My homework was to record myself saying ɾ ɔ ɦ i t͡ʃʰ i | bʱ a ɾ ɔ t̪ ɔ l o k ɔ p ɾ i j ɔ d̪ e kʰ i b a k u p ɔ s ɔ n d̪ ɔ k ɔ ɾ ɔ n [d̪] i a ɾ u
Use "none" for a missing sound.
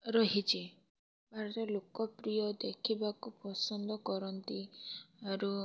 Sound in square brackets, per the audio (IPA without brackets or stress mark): t̪